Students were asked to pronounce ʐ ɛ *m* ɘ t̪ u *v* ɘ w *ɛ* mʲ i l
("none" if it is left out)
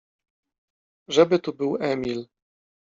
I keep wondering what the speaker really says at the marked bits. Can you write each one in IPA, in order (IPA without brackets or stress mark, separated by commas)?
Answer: b, b, ɛ